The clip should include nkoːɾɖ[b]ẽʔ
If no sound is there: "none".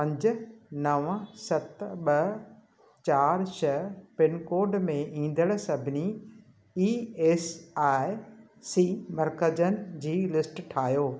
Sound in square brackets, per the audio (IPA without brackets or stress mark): m